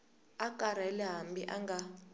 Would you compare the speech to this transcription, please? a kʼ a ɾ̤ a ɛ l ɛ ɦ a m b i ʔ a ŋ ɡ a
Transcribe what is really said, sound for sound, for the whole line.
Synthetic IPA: a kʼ a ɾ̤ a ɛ l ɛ ɦ a m b i ʔ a ŋ ɡ a